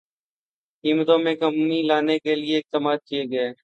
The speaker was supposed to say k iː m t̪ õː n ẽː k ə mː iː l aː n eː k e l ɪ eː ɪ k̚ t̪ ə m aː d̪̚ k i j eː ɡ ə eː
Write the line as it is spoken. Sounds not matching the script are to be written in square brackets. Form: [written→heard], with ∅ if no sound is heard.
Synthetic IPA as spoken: k iː m t̪ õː [n→m] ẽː k ə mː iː l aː n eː k e l ɪ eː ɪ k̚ t̪ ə m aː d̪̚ k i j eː ɡ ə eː